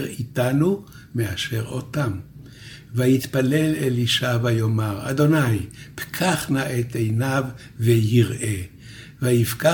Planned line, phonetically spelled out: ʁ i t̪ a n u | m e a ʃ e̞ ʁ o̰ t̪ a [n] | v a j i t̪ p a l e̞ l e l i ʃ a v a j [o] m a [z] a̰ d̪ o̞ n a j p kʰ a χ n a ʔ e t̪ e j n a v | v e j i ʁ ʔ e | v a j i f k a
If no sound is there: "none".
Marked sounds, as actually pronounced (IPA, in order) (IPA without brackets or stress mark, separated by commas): m, o, ʁ